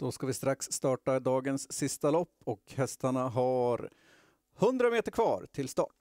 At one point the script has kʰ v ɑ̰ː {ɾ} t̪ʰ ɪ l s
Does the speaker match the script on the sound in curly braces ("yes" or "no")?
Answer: yes